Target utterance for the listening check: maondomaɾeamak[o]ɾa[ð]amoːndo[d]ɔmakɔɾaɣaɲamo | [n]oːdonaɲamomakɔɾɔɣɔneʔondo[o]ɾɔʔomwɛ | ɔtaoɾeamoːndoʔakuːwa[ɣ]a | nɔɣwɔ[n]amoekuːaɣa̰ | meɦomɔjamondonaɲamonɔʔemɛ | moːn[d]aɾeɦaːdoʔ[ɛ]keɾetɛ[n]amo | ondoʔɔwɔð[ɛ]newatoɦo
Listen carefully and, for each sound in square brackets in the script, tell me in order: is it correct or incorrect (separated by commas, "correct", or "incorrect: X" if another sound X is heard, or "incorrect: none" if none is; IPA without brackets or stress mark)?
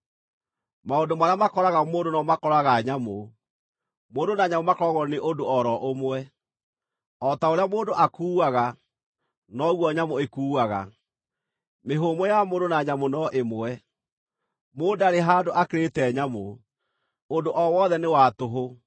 incorrect: ɔ, incorrect: ɣ, incorrect: n, incorrect: m, incorrect: ɔ, correct, incorrect: ɲ, correct, incorrect: a, incorrect: ɲ, correct